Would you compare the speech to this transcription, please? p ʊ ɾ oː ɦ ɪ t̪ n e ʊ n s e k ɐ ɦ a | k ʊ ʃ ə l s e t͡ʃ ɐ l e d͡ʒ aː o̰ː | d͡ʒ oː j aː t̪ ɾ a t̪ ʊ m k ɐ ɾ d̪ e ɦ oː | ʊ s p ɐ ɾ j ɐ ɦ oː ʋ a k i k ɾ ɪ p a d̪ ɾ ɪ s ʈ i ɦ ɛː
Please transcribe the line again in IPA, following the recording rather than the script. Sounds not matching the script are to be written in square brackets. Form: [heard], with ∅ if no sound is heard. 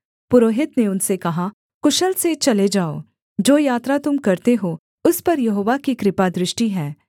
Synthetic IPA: p ʊ ɾ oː ɦ ɪ t̪ n e ʊ n s e k ɐ ɦ a | k ʊ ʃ ə l s e t͡ʃ ɐ l e d͡ʒ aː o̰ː | d͡ʒ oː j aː t̪ ɾ a t̪ ʊ m k ɐ ɾ [t̪] e ɦ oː | ʊ s p ɐ ɾ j ɐ ɦ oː ʋ a k i k ɾ ɪ p a d̪ ɾ ɪ [ʃ] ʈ i ɦ ɛː